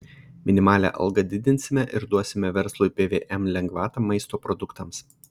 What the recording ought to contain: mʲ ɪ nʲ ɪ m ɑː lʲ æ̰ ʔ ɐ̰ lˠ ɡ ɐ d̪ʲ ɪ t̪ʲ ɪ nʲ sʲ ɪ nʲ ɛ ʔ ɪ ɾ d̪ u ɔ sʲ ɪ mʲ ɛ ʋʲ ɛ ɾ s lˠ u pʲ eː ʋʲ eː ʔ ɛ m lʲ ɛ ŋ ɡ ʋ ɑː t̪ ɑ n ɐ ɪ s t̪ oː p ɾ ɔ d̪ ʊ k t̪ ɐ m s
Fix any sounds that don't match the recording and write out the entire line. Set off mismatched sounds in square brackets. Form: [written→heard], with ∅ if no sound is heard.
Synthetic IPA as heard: mʲ ɪ nʲ ɪ m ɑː lʲ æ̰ ʔ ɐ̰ lˠ ɡ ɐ d̪ʲ ɪ [t̪ʲ→d̪ʲ] ɪ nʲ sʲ ɪ [nʲ→mʲ] ɛ ʔ ɪ ɾ d̪ u ɔ sʲ ɪ mʲ ɛ ʋʲ ɛ ɾ s lˠ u pʲ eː ʋʲ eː ʔ ɛ m lʲ ɛ ŋ ɡ ʋ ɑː t̪ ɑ [n→m] ɐ ɪ s t̪ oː p ɾ ɔ d̪ ʊ k t̪ ɐ m s